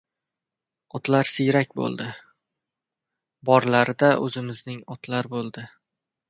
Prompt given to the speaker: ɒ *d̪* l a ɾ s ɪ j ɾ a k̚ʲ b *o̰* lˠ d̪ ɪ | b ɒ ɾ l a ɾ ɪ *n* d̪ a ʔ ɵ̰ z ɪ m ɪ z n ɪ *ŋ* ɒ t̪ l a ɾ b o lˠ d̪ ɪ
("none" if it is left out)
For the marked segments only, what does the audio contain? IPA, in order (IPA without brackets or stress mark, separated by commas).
t̪, o̰, none, ŋ